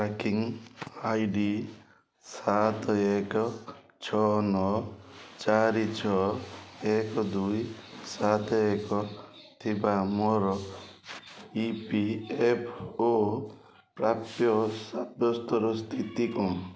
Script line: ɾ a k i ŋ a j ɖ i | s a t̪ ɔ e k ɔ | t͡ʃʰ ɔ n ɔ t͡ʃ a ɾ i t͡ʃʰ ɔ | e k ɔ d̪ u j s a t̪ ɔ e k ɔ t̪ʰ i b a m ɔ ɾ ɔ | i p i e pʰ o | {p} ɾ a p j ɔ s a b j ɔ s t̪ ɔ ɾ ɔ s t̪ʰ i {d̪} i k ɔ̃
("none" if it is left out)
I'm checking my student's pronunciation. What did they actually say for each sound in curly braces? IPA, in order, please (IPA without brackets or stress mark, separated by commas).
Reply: p, t̪